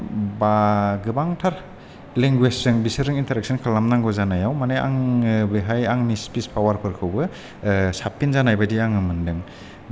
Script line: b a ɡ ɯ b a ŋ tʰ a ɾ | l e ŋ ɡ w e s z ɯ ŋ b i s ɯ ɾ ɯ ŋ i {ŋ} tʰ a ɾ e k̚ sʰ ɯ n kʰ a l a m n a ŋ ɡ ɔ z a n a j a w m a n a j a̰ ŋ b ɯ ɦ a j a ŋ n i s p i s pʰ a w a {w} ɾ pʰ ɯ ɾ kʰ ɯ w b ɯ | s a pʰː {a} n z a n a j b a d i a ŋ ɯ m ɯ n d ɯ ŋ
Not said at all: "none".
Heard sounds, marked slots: n, none, i

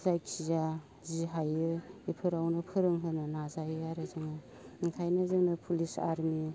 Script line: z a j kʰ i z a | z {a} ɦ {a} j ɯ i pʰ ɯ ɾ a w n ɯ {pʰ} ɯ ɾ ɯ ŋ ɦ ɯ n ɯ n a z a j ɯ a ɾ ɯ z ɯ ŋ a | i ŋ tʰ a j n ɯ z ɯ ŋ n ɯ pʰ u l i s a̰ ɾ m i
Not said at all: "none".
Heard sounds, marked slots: i, a, pʰ

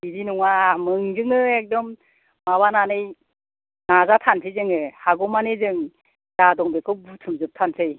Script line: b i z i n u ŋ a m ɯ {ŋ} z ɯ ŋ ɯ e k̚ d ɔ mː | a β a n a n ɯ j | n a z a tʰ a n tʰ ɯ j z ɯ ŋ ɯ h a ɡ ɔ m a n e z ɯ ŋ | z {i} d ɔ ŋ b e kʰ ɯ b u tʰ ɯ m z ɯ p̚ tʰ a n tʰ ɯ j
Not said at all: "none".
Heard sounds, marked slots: ŋ, a

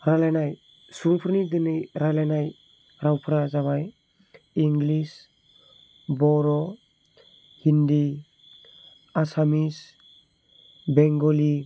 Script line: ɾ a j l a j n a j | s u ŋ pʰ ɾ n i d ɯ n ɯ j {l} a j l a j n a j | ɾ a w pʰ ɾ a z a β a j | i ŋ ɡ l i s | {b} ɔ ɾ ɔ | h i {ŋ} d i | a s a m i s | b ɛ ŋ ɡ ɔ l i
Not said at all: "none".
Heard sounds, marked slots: ɾ, b, n

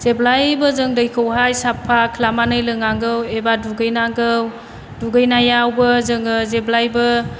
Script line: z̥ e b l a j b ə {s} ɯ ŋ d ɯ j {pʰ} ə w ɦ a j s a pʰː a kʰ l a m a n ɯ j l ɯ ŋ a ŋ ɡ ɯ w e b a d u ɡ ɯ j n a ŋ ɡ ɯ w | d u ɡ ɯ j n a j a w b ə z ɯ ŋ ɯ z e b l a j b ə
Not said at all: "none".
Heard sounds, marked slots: z, kʰ

